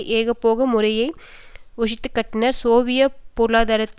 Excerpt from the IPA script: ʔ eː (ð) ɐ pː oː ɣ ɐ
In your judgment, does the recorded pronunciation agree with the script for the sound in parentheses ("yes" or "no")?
no